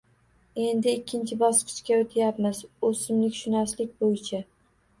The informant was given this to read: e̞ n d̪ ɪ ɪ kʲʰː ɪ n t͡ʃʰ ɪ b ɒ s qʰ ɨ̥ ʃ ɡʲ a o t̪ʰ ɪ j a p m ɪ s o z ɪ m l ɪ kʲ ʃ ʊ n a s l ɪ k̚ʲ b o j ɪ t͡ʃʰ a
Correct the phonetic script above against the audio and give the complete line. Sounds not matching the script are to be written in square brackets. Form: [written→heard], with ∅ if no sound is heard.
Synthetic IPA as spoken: e̞ n d̪ ɪ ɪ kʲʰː ɪ n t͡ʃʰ ɪ b ɒ s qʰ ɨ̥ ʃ [ɡʲ→kʲ] a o t̪ʰ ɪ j a p m ɪ [s→z] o [z→s] ɪ m l ɪ kʲ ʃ ʊ n a s l ɪ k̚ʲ b o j ɪ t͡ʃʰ a